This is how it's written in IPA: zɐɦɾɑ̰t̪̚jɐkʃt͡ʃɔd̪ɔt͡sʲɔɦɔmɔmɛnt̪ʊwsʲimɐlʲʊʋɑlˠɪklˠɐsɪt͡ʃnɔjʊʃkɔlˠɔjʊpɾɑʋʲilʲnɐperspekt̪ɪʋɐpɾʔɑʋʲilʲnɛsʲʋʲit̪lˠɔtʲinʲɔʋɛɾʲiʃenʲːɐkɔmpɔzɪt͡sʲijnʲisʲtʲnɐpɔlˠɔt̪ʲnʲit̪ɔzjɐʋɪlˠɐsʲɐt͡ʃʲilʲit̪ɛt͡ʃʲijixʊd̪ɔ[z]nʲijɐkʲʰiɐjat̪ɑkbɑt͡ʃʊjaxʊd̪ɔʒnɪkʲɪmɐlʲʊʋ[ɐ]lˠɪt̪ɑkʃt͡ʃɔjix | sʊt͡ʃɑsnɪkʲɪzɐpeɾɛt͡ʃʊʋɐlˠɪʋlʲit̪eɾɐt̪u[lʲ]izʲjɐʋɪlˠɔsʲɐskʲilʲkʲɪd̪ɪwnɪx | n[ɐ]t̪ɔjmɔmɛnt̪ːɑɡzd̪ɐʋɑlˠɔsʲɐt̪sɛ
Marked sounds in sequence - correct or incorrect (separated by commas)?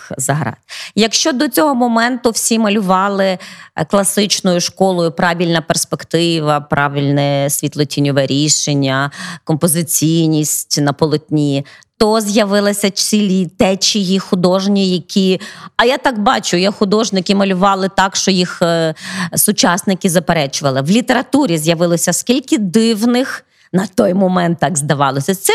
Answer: incorrect, incorrect, incorrect, correct